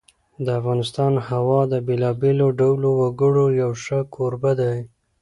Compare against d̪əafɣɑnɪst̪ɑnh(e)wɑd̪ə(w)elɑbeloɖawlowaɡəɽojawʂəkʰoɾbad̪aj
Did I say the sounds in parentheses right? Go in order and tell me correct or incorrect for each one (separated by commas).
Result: incorrect, incorrect